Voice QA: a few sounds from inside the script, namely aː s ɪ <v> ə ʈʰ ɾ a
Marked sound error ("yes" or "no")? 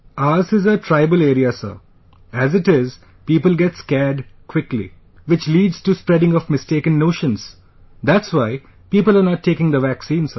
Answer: yes